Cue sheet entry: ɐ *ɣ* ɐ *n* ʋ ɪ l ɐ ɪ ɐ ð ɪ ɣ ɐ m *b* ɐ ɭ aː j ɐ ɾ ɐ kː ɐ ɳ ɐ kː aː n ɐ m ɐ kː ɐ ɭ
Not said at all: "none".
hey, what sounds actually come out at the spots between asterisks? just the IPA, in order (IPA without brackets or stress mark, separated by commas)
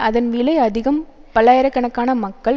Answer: ð, n, p